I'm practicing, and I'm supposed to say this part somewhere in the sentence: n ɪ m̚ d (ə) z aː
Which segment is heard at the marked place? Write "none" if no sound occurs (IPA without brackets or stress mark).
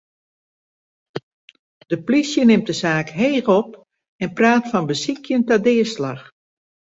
ə